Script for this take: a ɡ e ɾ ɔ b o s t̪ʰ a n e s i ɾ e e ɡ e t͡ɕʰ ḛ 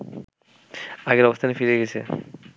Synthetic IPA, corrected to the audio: a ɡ e ɾ ɔ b o s t̪ʰ a n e f i ɾ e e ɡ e t͡ɕʰ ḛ